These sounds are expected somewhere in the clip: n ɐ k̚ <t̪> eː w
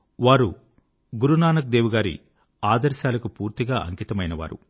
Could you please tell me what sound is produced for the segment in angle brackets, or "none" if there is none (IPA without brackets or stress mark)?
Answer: d̪